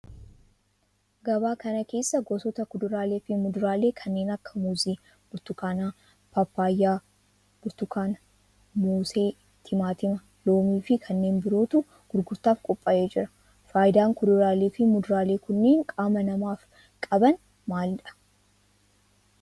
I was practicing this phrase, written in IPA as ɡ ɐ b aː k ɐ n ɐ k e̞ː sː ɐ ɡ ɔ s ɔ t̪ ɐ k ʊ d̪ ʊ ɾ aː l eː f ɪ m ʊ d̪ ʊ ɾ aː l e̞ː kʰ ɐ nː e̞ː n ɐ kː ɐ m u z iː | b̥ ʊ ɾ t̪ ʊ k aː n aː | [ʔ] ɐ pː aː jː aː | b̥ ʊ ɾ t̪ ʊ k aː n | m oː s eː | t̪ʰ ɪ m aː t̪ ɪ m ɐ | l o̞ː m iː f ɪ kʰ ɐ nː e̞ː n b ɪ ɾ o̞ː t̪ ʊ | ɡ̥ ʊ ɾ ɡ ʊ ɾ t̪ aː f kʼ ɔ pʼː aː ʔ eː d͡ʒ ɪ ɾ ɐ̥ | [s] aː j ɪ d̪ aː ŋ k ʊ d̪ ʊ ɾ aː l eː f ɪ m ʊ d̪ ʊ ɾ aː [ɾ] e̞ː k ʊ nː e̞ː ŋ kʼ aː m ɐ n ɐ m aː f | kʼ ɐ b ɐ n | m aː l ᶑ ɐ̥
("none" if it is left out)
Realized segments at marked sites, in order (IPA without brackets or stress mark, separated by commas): p, f, l